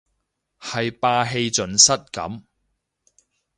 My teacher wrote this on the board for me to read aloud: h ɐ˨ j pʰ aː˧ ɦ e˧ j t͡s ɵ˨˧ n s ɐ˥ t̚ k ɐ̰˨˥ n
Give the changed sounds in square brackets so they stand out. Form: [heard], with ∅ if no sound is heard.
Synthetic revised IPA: h ɐ˨ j [p] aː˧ ɦ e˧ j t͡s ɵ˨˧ n s ɐ˥ t̚ k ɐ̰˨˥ [m]